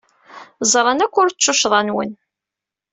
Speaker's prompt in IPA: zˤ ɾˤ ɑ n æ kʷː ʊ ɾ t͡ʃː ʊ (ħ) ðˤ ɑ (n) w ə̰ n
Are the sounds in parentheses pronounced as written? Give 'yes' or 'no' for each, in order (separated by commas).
no, yes